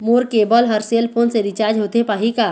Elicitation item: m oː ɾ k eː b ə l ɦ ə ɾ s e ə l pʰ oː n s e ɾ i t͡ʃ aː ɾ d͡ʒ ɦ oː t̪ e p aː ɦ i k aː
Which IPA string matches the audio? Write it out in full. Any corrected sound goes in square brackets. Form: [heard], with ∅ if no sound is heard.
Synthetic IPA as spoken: m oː ɾ k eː b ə l ɦ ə ɾ s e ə l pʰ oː n s e ɾ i t͡ʃ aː ɾ d͡ʒ ɦ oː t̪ e p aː ɦ i k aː

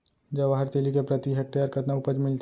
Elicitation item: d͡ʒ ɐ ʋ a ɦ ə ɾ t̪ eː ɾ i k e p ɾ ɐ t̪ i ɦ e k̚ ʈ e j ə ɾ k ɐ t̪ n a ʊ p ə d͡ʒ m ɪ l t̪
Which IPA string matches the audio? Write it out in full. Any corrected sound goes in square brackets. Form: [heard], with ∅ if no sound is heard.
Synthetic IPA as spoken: d͡ʒ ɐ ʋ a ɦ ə ɾ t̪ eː [l] i k e p ɾ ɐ t̪ i ɦ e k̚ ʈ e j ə ɾ k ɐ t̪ n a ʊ p ə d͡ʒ m ɪ l t̪

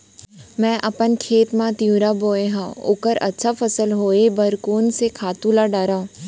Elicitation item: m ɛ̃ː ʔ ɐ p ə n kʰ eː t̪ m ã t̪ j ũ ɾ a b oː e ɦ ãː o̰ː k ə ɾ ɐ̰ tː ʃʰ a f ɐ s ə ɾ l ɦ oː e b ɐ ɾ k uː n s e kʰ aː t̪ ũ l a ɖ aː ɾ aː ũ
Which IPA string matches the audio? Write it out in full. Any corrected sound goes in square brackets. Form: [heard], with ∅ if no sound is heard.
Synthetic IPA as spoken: m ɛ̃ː ʔ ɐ p ə n kʰ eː t̪ m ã t̪ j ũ ɾ a b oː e ɦ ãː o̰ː k ə ɾ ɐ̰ tː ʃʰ a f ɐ s ə [∅] l ɦ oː e b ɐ ɾ k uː n s e kʰ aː t̪ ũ l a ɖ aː ɾ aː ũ

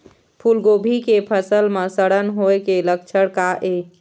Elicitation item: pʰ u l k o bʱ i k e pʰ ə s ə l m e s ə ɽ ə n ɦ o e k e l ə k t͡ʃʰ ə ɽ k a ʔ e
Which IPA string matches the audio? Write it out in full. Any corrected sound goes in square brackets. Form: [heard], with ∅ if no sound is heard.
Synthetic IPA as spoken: pʰ u l [ɡ] o bʱ i k e pʰ ə s ə l m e s ə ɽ ə n ɦ o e k e l ə k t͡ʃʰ ə ɽ k a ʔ e

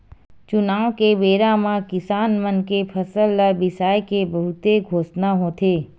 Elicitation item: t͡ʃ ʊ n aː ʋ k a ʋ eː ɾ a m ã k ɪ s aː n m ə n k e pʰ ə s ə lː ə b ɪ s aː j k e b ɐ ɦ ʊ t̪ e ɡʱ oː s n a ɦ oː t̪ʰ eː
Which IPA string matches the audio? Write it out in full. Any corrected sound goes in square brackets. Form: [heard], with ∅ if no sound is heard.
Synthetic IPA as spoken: t͡ʃ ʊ n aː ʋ k [e] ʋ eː ɾ a m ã k ɪ s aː n m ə n k e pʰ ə s ə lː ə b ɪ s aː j k e b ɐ ɦ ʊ t̪ e ɡʱ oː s n a ɦ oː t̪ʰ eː

